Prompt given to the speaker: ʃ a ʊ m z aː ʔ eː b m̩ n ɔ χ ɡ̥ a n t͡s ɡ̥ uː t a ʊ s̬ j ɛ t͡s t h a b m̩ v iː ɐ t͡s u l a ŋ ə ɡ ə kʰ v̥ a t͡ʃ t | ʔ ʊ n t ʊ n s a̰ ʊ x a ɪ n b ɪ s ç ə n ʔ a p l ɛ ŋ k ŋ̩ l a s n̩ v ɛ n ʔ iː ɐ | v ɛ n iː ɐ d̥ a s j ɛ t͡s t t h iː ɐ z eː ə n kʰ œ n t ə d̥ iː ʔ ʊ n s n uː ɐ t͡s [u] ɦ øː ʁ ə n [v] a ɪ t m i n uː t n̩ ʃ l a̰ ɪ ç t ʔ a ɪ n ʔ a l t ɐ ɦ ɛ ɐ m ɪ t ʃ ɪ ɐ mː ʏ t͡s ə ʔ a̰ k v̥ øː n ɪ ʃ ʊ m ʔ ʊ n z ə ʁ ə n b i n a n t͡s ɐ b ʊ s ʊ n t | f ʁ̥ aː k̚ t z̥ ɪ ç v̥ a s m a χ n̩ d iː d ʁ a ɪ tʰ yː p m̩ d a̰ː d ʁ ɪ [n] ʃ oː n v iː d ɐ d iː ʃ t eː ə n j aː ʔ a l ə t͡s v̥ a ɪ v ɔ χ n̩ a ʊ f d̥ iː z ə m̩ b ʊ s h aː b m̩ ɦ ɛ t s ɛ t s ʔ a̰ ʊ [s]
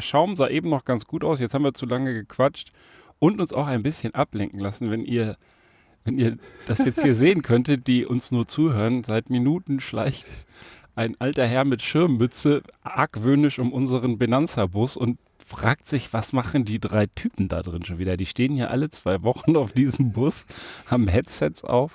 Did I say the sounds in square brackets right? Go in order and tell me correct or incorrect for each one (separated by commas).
incorrect, incorrect, correct, incorrect